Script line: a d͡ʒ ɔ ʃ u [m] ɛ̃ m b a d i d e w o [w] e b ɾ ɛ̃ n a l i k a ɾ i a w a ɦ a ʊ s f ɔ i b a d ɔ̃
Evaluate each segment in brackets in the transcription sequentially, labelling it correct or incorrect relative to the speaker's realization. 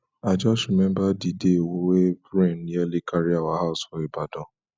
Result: correct, correct

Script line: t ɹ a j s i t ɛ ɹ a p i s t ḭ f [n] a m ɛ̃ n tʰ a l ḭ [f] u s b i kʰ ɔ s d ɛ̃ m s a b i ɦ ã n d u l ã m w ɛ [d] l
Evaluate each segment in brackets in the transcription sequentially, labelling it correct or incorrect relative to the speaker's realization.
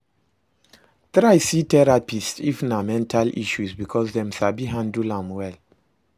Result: correct, incorrect: ʃ, incorrect: none

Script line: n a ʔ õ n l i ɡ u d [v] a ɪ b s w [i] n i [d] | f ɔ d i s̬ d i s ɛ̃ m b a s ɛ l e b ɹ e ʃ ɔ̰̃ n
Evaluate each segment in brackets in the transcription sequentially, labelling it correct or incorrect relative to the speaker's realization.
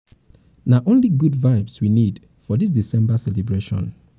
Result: correct, correct, correct

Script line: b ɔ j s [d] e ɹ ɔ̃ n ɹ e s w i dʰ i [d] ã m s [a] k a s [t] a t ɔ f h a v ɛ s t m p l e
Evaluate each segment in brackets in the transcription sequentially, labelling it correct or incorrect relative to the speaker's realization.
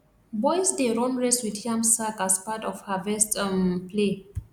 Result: correct, incorrect: none, correct, incorrect: p

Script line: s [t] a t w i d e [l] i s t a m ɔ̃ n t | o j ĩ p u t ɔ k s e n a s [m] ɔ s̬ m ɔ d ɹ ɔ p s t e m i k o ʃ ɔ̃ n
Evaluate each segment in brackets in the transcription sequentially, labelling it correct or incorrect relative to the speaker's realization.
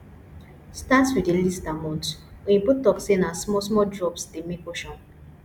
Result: correct, correct, correct

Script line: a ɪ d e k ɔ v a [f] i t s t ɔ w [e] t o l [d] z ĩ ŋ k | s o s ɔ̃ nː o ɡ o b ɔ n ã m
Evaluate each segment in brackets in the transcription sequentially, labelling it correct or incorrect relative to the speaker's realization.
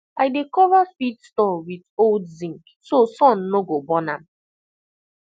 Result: correct, incorrect: i, correct

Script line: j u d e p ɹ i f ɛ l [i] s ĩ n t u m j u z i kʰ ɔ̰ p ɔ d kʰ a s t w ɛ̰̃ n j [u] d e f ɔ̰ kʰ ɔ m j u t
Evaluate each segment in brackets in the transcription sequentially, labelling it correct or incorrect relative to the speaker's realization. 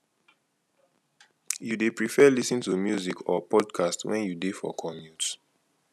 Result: correct, correct

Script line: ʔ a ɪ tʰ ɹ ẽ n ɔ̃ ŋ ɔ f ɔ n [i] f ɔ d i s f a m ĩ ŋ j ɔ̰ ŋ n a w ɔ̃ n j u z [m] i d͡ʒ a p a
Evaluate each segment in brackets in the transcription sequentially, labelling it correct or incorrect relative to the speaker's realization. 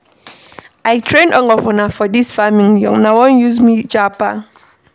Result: incorrect: a, correct

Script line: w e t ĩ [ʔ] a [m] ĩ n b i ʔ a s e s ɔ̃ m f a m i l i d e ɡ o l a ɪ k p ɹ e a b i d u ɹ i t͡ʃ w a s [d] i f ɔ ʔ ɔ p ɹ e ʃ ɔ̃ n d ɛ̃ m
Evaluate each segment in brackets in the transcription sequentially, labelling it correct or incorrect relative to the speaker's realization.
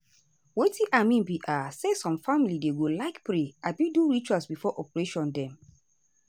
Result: correct, correct, incorrect: b

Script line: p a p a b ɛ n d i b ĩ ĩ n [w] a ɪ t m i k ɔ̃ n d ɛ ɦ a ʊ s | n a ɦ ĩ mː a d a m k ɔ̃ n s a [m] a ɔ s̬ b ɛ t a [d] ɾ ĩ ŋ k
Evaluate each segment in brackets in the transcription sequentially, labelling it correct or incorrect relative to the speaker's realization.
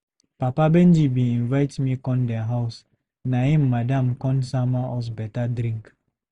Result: incorrect: v, correct, correct

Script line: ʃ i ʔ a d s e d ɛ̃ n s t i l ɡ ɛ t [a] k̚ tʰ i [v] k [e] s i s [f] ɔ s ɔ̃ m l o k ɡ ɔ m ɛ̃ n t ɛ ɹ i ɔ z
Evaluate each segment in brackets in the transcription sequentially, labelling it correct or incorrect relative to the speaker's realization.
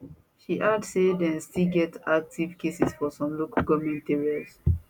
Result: correct, correct, correct, correct

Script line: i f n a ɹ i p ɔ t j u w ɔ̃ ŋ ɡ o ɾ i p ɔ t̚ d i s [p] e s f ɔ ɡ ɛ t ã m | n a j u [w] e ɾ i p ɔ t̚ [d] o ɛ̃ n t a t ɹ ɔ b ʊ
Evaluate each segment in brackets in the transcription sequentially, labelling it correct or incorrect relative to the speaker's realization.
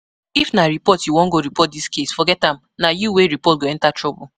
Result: incorrect: k, correct, incorrect: ɡ

